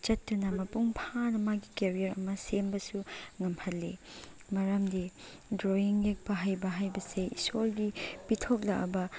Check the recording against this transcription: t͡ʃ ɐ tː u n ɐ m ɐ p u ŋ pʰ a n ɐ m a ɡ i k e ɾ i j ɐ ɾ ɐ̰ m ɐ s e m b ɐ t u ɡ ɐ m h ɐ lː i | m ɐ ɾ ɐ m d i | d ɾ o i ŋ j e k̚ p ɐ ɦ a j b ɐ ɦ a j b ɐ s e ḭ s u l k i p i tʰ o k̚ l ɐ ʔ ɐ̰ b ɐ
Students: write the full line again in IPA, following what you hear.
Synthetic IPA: t͡ʃ ɐ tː u n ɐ m ɐ p u ŋ pʰ a n ɐ m a ɡ i k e ɾ i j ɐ ɾ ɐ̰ m ɐ s e m b ɐ s u ŋ ɐ m h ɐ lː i | m ɐ ɾ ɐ m d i | d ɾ o i ŋ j e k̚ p ɐ ɦ a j b ɐ ɦ a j b ɐ s e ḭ s o l ɡ i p i tʰ o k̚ l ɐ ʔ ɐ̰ b ɐ